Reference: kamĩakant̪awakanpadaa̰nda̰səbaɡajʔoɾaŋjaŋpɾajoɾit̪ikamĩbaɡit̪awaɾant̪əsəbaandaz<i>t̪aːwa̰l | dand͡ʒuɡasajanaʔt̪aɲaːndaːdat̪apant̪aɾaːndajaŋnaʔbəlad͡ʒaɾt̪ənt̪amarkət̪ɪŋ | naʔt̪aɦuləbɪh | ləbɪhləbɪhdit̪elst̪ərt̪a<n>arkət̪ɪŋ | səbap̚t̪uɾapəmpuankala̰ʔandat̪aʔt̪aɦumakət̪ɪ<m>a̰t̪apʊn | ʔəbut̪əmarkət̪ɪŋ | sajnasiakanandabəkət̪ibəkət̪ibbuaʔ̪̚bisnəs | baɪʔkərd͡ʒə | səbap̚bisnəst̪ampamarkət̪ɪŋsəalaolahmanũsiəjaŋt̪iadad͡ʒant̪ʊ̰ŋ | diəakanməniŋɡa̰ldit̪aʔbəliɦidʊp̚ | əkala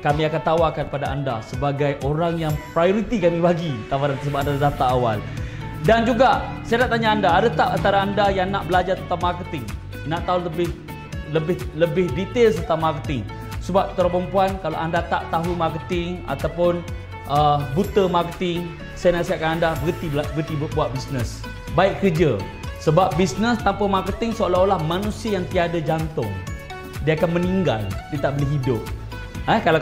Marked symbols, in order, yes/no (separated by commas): no, no, no